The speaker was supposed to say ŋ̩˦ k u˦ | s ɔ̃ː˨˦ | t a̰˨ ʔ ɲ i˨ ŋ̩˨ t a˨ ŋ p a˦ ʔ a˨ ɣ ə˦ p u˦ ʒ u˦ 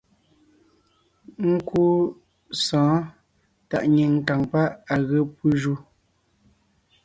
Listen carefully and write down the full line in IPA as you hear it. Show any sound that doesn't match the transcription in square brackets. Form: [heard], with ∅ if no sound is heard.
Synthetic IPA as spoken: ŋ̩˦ k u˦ | s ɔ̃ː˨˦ | t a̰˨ ʔ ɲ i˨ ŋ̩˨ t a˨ ŋ p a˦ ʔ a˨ ɣ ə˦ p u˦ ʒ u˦